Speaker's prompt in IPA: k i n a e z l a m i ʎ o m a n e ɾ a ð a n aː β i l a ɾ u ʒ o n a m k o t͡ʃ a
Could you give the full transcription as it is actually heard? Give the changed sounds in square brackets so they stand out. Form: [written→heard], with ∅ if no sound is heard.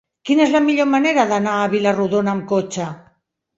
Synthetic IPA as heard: k i n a e z l a m i ʎ o m a n e ɾ a ð a n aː β i l a [ɾ→r] u [ʒ→ð] o n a m k o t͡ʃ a

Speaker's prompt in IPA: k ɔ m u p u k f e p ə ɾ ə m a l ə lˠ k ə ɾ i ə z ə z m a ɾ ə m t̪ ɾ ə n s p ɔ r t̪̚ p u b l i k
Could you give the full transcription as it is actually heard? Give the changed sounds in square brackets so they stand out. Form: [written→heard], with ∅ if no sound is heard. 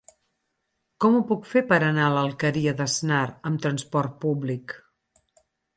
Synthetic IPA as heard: k ɔ m u p u k f e p ə ɾ ə [m→n] a l ə lˠ k ə ɾ i ə [z→ð] ə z [m→n] a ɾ ə m t̪ ɾ ə n s p ɔ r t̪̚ p u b l i k

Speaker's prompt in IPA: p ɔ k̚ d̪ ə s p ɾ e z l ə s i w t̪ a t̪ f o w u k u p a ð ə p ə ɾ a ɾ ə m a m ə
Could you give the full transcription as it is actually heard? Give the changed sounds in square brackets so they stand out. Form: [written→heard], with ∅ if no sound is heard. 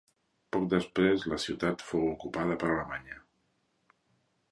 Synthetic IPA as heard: p ɔ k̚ d̪ ə s p ɾ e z l ə s i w t̪ a t̪ f o w u k u p a ð ə p ə ɾ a [ɾ→l] ə m a [m→ɲ] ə

